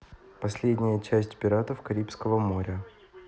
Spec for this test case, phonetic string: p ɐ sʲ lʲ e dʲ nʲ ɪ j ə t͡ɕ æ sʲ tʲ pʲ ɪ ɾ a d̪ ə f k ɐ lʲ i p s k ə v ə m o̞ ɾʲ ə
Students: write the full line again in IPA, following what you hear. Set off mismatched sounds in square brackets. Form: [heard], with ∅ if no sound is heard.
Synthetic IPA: p ɐ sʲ lʲ e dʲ nʲ ɪ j ə t͡ɕ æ sʲ tʲ pʲ ɪ ɾ a [t̪] ə f k ɐ [ɾʲ] i p s k ə v ə m o̞ ɾʲ ə